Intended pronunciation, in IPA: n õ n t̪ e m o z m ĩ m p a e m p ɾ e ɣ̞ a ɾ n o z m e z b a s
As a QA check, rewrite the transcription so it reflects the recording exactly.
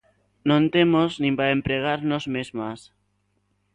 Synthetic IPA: n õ n t̪ e m o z n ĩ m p a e m p ɾ e ɣ̞ a ɾ n o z m e z m a s

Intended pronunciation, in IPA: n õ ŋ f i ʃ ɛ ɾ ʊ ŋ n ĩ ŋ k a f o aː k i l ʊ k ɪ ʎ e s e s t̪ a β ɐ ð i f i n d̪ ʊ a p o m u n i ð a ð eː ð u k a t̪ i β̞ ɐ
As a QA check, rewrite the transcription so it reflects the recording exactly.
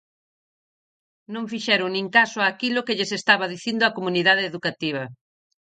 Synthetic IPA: n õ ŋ f i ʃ ɛ ɾ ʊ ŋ n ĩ ŋ k a s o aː k i l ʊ k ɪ ʎ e s e s t̪ a β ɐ ð i θ i n d̪ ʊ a k o m u n i ð a ð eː ð u k a t̪ i β̞ ɐ

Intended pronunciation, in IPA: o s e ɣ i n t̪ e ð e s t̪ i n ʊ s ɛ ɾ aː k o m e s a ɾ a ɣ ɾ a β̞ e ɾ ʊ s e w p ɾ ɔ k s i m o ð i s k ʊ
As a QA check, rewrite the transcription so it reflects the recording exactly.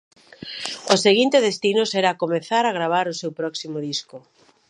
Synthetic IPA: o s e ɣ i n t̪ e ð e s t̪ i n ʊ s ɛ ɾ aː k o m e θ a ɾ a ɣ ɾ a β̞ a ɾ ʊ s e w p ɾ ɔ k s i m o ð i s k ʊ

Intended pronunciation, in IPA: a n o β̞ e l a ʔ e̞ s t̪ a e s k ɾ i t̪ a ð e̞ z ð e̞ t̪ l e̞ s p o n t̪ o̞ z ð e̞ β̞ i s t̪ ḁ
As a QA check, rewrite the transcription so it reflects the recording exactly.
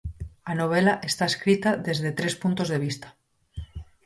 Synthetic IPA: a n o β̞ e l a ʔ e̞ s t̪ a e s k ɾ i t̪ a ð e̞ z ð e̞ t̪ ɾ e̞ s p u n t̪ o̞ z ð e̞ β̞ i s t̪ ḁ

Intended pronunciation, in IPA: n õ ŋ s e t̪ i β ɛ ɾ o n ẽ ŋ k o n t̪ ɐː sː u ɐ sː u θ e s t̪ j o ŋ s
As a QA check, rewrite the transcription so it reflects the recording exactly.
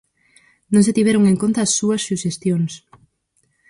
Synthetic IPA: n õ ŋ s e t̪ i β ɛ ɾ o ŋ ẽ ŋ k o n t̪ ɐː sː u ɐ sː u ʃ e s t̪ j o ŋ s

